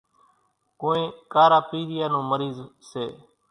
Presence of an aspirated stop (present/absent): absent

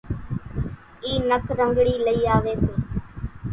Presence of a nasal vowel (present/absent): absent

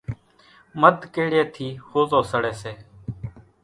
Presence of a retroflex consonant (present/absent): present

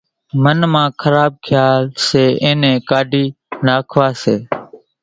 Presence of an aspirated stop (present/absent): present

